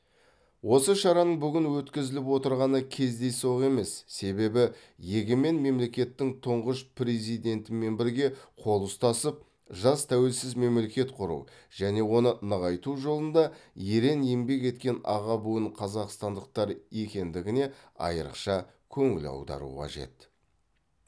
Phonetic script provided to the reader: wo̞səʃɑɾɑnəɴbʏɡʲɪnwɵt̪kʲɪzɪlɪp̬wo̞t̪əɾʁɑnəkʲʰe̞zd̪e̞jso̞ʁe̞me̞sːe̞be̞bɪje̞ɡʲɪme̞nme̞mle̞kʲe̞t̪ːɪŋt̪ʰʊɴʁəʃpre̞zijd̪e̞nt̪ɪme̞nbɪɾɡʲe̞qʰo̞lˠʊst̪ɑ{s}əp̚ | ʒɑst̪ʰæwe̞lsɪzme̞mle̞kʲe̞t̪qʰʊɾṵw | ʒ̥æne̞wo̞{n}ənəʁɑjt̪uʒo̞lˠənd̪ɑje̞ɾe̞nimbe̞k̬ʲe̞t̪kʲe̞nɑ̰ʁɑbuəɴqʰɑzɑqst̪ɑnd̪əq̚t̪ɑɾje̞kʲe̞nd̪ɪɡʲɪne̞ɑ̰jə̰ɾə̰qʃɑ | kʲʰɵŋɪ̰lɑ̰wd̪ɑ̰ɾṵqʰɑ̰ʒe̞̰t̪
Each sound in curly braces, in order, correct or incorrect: correct, correct

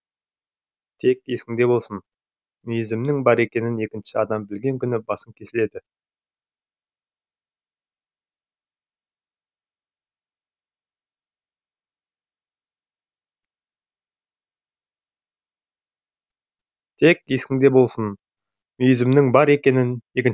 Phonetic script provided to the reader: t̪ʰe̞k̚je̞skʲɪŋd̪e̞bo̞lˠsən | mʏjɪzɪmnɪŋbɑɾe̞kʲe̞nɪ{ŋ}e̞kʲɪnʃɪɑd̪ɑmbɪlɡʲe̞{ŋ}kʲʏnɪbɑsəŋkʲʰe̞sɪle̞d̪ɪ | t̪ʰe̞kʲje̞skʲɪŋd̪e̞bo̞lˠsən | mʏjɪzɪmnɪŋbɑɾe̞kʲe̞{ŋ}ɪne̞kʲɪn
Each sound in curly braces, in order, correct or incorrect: incorrect: n, correct, incorrect: n

